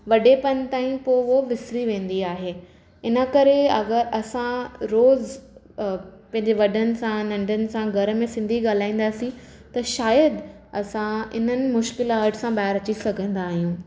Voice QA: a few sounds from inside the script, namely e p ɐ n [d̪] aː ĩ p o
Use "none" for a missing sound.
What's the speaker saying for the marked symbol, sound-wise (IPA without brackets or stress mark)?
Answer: t̪